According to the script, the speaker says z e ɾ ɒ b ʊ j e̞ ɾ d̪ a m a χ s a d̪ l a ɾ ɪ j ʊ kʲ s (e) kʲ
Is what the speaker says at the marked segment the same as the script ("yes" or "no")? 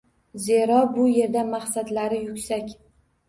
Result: no